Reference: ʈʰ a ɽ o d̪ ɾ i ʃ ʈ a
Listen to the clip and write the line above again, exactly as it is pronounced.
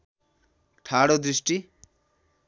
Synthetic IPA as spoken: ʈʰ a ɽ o d̪ ɾ i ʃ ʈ i